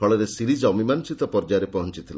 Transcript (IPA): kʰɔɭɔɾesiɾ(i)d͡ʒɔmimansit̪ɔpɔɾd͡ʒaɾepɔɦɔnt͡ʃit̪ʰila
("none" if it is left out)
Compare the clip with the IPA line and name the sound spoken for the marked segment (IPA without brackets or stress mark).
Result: i